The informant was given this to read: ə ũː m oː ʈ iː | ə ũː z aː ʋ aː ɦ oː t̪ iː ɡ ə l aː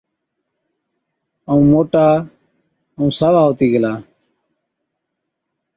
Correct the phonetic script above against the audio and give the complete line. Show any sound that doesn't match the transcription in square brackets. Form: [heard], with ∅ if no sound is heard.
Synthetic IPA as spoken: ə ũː m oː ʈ [aː] | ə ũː [s] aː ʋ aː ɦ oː t̪ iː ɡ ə l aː